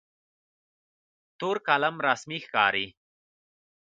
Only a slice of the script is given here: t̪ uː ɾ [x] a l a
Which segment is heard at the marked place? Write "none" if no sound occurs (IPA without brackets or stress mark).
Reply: k